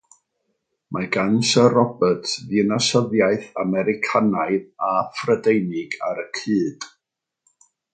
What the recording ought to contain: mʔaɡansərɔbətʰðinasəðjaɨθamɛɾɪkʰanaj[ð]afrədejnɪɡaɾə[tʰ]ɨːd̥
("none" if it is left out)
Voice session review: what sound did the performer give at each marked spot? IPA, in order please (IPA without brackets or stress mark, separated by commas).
ð, kʰ